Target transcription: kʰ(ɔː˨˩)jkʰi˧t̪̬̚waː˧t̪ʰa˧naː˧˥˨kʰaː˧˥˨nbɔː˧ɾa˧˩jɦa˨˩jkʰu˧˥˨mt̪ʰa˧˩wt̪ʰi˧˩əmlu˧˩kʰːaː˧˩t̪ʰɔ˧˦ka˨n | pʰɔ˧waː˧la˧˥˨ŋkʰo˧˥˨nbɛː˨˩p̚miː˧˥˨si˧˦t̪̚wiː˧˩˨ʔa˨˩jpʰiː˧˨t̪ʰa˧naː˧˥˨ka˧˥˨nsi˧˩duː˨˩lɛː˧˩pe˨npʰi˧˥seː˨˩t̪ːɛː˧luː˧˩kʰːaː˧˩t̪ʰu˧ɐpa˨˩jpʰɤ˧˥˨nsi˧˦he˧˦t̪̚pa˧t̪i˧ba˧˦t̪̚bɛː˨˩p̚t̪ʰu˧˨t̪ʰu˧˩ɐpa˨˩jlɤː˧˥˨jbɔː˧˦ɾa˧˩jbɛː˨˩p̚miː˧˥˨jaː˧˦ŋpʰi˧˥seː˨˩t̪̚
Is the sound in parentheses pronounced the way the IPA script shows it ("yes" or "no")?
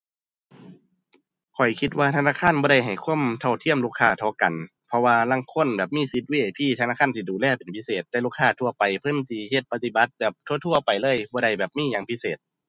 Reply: no